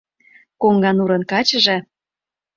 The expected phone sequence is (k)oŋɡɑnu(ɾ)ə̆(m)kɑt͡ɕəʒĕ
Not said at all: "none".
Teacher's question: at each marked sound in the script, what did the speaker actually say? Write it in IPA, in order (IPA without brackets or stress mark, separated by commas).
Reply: k, ɾ, n